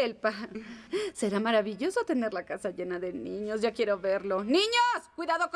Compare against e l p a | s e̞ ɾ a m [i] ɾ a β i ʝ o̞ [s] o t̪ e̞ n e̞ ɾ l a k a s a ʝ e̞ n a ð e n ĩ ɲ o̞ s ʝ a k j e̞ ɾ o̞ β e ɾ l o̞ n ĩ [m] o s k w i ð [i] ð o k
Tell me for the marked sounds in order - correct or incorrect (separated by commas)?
incorrect, correct, incorrect, incorrect